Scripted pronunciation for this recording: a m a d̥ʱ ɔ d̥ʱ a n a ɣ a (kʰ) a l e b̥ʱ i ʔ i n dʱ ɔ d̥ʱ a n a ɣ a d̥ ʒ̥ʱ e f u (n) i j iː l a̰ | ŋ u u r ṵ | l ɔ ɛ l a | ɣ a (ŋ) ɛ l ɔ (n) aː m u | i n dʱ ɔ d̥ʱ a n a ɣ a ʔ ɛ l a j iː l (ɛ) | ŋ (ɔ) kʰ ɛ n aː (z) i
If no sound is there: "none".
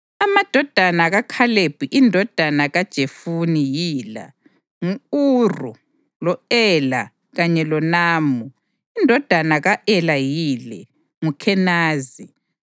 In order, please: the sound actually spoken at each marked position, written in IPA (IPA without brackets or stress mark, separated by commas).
kʰ, n, ɲ, n, ɛ, u, z